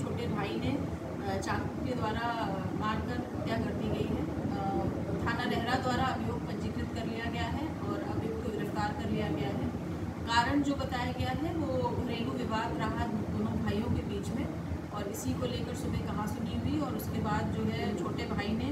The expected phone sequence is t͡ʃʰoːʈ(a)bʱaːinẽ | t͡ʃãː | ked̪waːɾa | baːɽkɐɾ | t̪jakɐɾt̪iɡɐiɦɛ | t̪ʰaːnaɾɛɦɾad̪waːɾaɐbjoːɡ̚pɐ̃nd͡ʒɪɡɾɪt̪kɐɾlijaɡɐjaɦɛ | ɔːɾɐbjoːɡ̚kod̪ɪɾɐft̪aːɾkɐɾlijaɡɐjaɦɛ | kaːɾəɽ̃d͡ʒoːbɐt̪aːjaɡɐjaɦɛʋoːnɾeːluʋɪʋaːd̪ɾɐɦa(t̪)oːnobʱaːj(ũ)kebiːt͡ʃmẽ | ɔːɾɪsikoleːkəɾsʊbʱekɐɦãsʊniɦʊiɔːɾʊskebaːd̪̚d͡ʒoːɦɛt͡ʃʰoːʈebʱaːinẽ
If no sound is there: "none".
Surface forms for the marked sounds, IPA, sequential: e, d̪, õ

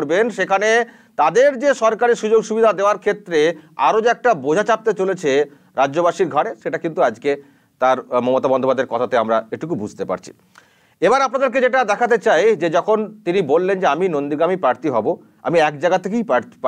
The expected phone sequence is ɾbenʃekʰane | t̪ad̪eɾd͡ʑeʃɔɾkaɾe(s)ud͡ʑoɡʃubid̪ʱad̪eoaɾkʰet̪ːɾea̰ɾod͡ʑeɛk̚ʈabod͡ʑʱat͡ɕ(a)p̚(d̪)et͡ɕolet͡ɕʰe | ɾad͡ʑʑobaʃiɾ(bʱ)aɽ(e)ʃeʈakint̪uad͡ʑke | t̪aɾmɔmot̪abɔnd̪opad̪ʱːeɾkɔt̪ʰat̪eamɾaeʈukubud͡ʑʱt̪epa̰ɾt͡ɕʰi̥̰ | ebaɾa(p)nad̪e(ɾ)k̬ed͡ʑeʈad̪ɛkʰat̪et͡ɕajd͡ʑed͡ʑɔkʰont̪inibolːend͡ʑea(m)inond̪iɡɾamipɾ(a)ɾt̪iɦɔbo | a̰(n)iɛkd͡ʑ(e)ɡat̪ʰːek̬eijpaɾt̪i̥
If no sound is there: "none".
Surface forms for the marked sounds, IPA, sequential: ʃ, a, t̪, ɡʱ, e, p, ɾ, m, a, m, a

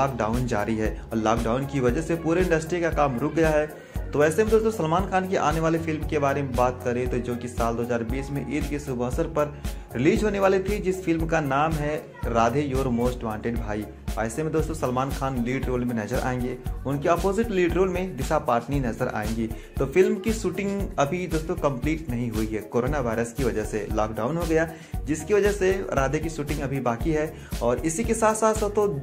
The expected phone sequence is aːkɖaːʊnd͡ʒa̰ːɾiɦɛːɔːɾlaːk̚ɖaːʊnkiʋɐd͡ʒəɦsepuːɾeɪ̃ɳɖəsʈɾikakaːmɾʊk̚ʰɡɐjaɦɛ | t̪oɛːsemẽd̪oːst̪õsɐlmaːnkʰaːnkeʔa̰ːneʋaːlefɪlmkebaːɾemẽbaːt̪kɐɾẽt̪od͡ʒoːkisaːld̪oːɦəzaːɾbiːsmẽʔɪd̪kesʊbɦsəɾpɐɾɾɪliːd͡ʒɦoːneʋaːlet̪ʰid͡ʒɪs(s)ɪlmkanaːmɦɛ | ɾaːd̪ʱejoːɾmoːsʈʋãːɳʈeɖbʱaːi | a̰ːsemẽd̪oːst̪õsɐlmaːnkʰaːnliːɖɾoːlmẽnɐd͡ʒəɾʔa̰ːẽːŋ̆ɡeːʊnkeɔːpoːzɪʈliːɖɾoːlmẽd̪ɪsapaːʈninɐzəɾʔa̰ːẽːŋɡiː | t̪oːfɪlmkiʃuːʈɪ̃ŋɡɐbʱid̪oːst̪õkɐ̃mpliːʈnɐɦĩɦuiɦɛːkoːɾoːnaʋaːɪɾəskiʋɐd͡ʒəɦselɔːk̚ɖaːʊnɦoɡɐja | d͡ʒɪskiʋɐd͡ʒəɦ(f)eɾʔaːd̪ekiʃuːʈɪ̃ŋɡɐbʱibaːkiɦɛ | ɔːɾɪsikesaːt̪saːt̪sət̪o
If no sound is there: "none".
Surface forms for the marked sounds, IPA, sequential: f, s

